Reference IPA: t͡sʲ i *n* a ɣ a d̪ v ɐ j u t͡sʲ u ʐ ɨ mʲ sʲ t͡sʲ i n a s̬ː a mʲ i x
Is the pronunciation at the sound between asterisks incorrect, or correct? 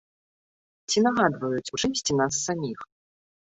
correct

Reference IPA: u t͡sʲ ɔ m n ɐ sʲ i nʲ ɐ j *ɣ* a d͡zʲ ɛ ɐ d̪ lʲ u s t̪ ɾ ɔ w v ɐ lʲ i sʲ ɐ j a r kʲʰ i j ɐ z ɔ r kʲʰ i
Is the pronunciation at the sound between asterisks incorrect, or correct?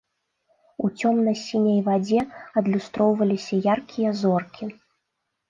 incorrect: v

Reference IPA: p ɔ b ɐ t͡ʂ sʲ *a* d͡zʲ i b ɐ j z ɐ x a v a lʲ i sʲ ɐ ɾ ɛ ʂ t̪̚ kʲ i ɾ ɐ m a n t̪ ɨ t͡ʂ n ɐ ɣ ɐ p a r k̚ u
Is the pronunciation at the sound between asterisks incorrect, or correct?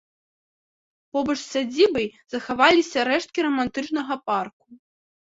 correct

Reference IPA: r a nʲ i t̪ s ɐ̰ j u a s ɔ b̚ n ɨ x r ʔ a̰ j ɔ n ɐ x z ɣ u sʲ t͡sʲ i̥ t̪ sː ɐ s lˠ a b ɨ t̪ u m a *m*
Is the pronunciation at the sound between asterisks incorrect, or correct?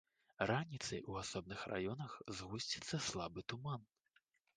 incorrect: n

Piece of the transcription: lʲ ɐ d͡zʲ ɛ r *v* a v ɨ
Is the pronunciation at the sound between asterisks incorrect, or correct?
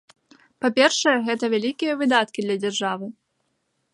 incorrect: ʐ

